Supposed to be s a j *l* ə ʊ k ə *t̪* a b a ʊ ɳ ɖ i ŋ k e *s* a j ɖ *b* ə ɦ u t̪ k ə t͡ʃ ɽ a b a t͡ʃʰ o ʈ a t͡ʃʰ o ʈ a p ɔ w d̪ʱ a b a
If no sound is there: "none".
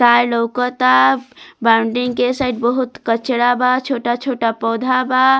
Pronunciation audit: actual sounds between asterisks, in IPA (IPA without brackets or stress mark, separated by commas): l, t̪, s, b